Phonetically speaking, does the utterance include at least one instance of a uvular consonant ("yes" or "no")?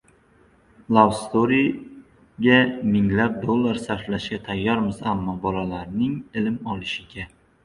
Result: no